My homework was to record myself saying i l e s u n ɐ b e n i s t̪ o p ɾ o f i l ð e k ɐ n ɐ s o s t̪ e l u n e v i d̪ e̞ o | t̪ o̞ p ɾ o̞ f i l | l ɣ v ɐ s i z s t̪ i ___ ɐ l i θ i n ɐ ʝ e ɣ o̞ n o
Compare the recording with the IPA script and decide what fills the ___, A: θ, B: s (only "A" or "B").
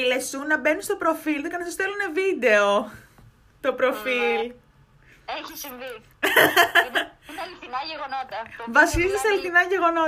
B